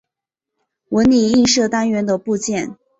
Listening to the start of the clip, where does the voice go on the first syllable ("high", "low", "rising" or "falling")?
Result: rising